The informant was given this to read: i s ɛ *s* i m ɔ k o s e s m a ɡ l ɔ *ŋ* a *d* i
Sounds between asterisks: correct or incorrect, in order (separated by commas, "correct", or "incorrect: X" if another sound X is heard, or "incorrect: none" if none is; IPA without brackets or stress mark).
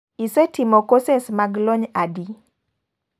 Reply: incorrect: t, incorrect: ɲ, correct